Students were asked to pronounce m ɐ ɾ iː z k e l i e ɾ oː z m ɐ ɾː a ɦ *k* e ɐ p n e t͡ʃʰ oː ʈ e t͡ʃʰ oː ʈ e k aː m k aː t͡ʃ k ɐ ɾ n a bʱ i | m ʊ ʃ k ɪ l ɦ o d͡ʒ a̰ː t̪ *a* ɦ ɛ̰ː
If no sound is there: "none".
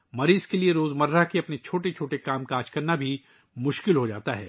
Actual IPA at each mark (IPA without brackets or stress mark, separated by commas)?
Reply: k, a